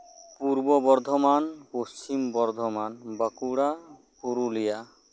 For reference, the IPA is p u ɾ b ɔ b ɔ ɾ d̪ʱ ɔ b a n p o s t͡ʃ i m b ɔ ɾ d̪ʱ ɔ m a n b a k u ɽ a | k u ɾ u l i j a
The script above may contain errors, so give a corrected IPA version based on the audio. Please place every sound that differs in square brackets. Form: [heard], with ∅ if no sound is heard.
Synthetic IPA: p u ɾ b ɔ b ɔ ɾ d̪ʱ ɔ [m] a n p o s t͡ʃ i m b ɔ ɾ d̪ʱ ɔ m a n b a k u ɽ a | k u ɾ u l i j a